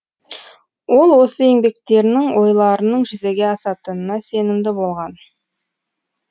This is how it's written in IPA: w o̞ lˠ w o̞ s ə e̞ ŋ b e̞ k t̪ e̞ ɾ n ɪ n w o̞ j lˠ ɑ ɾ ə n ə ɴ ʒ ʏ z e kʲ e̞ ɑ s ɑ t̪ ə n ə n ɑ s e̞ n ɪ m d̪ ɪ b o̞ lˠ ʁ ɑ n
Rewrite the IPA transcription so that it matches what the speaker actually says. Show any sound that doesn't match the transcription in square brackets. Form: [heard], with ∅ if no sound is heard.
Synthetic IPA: w o̞ lˠ w o̞ s ə e̞ ŋ b e̞ k t̪ e̞ ɾ n ɪ [ŋ] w o̞ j lˠ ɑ ɾ ə n ə ɴ ʒ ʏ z e [ɡʲ] e̞ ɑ s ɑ t̪ ə n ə n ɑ s e̞ n ɪ m d̪ ɪ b o̞ lˠ ʁ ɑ n